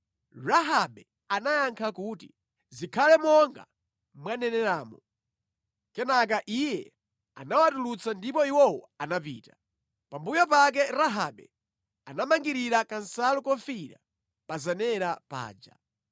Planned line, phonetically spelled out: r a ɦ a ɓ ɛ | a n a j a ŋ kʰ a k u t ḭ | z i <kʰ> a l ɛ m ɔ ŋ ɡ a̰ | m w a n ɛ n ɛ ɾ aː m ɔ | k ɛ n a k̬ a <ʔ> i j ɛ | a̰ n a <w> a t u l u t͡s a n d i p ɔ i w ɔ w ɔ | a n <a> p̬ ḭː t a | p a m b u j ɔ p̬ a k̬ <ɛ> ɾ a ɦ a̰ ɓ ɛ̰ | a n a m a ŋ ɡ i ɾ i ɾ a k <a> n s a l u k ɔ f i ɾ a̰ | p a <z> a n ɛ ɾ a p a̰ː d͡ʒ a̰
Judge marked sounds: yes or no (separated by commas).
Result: yes, yes, yes, yes, yes, yes, yes